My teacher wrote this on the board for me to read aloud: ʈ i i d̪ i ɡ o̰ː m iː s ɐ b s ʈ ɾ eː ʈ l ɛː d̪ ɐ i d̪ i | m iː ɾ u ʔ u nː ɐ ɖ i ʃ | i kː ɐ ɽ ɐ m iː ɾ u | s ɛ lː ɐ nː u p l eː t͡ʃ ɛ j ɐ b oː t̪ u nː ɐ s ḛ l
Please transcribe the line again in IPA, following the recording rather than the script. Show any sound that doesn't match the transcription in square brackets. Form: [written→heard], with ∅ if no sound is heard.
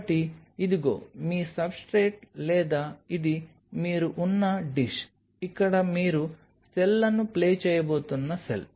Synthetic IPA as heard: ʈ i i d̪ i ɡ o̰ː m iː s ɐ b s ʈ ɾ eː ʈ l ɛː d̪ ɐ i d̪ i | m iː ɾ u ʔ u nː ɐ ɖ i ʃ | i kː ɐ ɽ ɐ m iː ɾ u | s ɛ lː ɐ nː u p l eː t͡ʃ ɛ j ɐ b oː t̪ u nː ɐ s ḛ l